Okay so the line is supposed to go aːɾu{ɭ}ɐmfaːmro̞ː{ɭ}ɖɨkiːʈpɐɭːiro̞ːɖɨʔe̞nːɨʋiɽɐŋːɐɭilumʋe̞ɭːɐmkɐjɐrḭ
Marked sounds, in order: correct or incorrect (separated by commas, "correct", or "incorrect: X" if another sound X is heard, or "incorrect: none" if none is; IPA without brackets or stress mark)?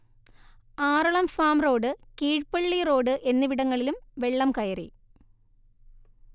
correct, incorrect: none